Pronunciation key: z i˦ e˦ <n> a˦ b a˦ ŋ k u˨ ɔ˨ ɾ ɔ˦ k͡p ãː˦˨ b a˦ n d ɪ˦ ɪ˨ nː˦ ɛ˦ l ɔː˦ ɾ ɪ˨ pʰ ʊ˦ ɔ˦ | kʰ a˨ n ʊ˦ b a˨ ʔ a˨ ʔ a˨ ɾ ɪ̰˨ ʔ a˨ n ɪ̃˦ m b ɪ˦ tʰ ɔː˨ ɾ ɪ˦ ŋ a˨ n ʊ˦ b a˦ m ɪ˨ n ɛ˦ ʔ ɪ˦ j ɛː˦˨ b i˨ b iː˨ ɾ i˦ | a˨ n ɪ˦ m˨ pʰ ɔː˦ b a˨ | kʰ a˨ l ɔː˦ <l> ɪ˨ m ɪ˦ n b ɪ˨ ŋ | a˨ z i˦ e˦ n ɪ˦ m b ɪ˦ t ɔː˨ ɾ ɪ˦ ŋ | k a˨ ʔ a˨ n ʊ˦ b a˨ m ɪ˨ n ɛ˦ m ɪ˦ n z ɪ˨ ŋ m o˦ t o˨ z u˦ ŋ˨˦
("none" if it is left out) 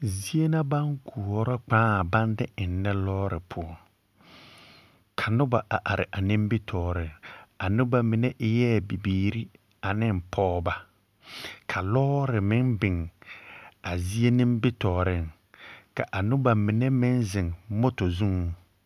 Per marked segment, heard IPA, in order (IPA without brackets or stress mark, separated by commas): n, ɾ